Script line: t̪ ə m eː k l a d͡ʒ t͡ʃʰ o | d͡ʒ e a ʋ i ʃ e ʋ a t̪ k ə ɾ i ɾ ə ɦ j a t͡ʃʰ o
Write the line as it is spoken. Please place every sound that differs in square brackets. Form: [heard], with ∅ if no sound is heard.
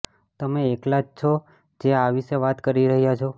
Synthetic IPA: t̪ ə m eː k l a d͡ʒ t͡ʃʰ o | d͡ʒ e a ʋ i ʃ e ʋ a t̪ k ə ɾ i ɾ ə ɦ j a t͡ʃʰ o